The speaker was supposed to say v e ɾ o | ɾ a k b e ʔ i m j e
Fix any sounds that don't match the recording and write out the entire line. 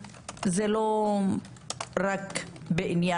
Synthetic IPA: z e l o | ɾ a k b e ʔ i n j a